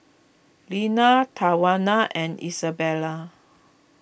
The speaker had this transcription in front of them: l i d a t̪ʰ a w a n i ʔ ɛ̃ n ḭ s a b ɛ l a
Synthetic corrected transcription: l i n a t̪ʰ a w a n a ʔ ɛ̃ n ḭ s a b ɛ l a